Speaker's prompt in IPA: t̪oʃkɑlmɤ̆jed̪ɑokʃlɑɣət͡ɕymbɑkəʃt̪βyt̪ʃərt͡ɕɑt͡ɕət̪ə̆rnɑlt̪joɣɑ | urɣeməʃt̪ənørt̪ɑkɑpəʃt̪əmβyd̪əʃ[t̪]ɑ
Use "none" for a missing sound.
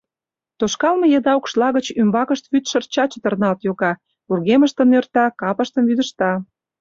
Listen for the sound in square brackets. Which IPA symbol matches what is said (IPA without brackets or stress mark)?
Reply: t̪